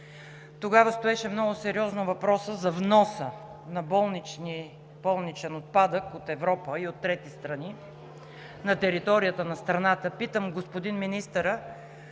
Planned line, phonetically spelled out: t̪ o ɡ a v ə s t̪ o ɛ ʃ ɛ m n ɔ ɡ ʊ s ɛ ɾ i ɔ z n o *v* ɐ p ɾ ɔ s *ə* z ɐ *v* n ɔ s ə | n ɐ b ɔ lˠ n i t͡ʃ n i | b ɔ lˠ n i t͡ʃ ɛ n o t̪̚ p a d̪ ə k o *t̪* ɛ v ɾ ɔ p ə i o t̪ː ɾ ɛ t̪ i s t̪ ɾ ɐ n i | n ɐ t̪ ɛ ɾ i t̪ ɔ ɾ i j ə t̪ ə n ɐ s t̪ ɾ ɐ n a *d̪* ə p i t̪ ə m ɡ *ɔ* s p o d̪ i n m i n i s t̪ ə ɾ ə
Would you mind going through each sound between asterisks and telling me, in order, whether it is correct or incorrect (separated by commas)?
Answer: correct, correct, correct, correct, incorrect, incorrect